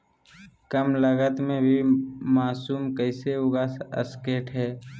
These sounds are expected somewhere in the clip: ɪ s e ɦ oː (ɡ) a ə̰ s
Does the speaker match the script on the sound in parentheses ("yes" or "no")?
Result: yes